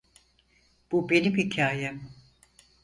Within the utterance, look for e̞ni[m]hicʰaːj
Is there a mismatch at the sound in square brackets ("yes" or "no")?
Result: no